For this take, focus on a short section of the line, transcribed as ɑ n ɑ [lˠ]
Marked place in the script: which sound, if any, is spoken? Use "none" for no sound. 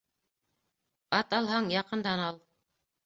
lˠ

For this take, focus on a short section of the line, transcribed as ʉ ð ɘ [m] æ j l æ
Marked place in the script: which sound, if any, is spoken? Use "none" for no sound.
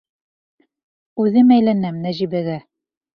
m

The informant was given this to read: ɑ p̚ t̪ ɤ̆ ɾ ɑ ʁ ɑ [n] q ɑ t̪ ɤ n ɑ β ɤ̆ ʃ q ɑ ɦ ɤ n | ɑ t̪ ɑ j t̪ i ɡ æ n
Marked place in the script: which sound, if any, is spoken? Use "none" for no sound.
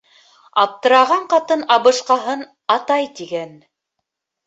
ɴ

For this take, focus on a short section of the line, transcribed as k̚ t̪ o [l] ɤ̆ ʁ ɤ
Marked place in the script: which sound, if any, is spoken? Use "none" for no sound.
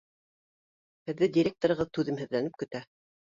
ɾ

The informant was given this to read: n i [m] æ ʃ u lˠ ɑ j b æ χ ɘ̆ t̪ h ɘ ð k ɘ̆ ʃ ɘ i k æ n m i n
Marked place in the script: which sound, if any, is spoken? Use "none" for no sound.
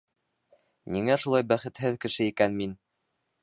ŋ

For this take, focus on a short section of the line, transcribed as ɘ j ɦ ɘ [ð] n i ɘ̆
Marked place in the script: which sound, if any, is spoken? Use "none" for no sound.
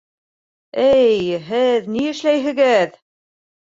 ð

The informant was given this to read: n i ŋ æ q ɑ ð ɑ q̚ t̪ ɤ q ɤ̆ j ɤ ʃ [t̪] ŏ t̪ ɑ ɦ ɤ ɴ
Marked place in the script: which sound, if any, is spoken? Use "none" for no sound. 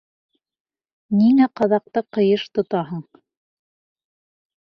t̪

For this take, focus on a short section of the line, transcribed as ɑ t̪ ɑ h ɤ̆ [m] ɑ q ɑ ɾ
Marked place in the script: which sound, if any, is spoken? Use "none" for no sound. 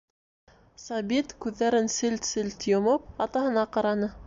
n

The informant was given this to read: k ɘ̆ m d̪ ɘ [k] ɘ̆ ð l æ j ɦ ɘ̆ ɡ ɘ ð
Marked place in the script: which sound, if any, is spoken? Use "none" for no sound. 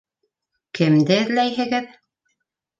none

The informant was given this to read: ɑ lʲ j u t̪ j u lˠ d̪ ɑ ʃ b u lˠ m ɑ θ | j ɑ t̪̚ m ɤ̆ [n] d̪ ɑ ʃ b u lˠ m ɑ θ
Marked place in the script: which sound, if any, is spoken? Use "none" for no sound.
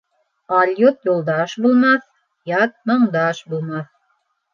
ɴ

